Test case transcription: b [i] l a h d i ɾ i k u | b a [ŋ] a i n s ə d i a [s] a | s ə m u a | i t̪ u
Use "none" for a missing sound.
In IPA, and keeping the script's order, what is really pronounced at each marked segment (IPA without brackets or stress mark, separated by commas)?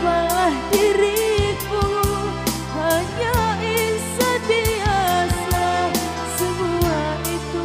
a, ɲ, s